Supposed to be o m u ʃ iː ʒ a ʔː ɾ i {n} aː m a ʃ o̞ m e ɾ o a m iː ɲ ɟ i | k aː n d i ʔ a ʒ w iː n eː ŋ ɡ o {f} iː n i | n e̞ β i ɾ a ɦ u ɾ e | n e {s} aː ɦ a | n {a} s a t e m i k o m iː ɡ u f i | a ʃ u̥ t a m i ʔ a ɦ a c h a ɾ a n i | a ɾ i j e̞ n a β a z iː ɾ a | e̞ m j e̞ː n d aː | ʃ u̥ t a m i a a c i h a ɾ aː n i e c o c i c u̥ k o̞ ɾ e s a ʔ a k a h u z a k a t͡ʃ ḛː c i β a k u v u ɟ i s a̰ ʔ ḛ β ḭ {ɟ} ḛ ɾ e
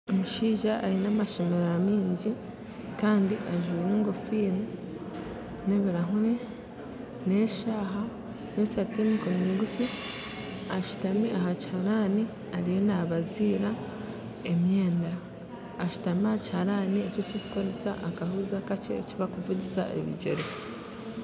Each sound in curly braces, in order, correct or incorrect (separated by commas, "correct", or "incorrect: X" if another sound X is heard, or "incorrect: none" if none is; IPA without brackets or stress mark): correct, correct, incorrect: ʃ, incorrect: e, correct